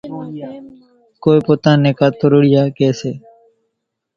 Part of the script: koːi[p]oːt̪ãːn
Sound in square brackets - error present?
no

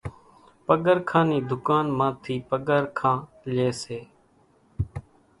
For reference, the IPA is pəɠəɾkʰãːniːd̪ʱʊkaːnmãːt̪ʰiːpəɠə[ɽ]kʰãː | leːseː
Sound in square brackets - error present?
yes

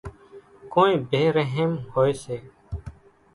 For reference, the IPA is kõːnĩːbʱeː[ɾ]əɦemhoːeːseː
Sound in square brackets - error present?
no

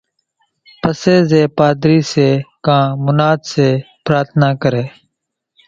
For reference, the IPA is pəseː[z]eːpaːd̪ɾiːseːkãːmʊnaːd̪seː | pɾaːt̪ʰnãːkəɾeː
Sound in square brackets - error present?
no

